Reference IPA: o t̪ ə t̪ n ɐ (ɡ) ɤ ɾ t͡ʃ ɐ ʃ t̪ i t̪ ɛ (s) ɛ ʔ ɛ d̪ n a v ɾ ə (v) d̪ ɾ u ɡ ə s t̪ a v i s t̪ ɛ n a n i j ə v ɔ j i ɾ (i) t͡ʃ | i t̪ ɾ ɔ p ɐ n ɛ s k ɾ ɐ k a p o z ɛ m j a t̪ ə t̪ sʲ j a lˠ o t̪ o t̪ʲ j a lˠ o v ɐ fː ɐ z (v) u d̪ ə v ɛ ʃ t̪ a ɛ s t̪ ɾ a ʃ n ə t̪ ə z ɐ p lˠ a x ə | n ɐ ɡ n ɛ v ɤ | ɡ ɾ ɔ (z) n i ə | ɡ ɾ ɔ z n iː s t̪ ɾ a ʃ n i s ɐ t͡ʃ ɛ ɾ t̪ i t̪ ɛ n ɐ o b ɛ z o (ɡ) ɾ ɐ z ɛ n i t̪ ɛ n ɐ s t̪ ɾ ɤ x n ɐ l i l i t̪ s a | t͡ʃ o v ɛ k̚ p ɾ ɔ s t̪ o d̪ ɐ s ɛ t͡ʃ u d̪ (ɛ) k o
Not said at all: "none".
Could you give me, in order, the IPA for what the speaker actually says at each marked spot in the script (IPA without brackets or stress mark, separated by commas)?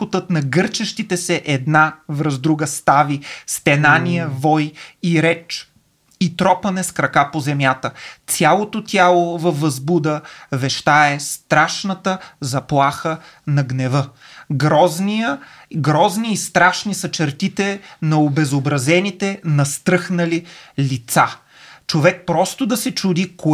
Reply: ɡ, s, z, ɛ, b, z, b, i